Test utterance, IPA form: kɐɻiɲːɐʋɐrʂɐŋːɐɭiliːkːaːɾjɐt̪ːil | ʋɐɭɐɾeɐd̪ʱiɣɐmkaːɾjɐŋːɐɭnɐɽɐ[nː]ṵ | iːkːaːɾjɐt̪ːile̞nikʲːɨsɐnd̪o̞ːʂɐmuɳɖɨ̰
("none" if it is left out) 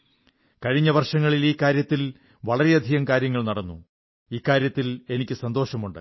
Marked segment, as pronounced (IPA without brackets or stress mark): nː